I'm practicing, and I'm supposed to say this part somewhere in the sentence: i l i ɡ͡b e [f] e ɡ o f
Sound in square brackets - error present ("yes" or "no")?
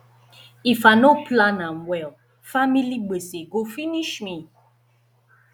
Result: yes